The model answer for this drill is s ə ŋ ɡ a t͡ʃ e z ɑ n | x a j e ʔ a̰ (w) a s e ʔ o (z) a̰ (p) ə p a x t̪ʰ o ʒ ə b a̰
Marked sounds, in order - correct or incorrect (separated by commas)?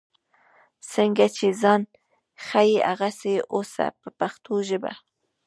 incorrect, incorrect, correct